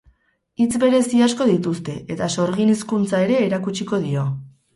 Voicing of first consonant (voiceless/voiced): voiceless